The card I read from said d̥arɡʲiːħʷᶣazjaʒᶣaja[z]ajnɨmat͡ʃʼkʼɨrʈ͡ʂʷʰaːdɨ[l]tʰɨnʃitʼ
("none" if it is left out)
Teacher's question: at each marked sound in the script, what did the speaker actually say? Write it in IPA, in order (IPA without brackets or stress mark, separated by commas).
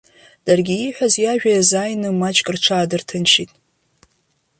z, r